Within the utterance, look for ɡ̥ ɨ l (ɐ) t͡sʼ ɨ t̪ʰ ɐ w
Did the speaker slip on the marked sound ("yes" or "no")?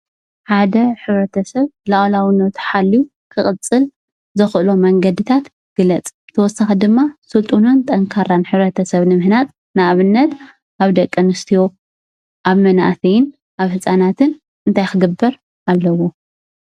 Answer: no